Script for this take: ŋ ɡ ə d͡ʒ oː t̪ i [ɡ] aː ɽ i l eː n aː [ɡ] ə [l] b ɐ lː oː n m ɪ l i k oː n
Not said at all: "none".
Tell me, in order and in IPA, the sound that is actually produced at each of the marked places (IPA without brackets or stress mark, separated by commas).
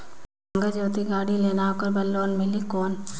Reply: ɡ, k, ɾ